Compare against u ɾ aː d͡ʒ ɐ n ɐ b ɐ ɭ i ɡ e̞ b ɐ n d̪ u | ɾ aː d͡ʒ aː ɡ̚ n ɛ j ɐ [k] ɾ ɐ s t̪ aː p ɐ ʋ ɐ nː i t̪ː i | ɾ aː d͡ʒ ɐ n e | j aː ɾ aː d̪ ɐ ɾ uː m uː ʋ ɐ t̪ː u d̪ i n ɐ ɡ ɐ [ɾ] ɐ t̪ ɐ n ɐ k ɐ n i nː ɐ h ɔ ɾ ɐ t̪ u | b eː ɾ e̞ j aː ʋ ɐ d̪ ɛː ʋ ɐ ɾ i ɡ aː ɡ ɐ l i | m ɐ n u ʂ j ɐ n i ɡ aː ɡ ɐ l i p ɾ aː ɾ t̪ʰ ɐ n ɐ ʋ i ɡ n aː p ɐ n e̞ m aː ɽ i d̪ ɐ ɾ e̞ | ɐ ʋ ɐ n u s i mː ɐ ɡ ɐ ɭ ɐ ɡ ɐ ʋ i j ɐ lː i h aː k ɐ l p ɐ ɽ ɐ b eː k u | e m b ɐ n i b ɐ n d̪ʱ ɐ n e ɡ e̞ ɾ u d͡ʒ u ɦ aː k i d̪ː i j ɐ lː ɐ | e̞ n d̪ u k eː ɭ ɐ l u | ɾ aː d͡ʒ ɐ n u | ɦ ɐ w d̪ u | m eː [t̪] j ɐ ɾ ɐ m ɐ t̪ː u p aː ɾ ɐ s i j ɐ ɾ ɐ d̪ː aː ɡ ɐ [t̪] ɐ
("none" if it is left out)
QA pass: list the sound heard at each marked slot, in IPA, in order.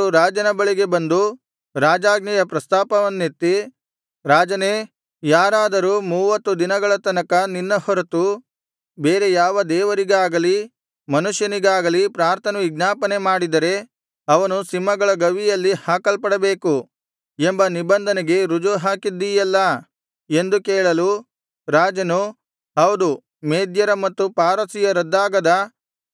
p, ɭ, d̪, d̪

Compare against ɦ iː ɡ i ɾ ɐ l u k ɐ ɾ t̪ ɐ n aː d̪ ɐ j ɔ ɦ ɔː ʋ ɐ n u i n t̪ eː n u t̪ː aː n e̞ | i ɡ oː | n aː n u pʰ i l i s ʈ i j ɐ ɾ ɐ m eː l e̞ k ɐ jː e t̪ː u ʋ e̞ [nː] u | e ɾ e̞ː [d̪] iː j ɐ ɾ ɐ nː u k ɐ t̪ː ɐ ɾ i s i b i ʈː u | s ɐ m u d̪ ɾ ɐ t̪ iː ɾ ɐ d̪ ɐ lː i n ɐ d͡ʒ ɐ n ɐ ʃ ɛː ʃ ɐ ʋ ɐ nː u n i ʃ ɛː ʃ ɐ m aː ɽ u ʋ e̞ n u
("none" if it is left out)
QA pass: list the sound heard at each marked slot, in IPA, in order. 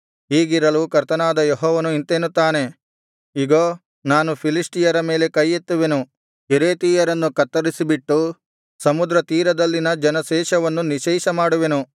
n, t̪

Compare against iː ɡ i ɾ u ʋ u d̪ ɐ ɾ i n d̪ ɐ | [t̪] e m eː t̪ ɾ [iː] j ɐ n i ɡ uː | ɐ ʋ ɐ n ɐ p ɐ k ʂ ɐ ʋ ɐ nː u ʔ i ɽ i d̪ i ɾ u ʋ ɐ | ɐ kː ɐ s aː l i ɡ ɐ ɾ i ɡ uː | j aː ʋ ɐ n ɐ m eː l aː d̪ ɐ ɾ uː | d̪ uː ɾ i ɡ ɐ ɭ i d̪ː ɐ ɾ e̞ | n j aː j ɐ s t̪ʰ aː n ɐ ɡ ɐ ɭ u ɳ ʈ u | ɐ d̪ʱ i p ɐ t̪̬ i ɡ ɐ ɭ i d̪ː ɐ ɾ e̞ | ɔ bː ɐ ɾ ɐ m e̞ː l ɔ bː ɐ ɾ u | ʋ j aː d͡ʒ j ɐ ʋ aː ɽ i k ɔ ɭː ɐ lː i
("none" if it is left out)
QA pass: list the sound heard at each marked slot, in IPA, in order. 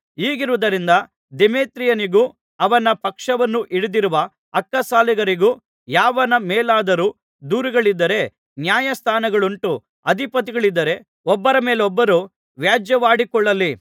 d̪, i

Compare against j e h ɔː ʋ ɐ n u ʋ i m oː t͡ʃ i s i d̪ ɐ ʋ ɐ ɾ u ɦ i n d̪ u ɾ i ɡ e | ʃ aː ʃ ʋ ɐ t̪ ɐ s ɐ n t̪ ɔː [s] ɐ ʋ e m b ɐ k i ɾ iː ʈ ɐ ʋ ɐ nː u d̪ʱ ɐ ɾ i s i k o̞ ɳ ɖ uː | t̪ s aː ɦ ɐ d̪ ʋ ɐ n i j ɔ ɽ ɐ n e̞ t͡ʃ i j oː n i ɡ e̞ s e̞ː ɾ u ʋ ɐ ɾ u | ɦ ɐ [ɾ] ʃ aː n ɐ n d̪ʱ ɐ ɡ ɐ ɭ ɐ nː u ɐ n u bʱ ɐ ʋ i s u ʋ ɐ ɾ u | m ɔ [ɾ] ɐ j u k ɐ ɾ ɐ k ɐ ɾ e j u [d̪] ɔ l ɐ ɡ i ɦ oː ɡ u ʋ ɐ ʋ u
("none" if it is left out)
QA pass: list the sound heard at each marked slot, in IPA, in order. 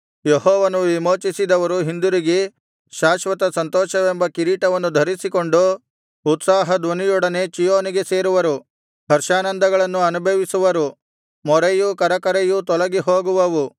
ʃ, ɾ, ɾ, t̪

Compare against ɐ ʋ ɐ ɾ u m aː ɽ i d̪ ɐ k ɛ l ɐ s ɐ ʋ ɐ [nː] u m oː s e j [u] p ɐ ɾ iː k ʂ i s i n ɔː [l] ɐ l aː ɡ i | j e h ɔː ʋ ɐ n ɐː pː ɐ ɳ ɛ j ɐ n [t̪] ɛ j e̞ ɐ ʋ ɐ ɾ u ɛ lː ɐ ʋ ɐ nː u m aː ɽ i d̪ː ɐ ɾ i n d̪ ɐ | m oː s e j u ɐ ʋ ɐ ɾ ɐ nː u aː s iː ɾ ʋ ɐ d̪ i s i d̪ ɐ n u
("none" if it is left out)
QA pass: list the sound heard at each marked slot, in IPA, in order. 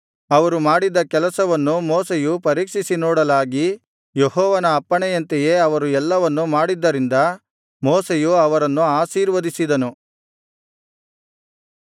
nː, u, ɽ, t̪

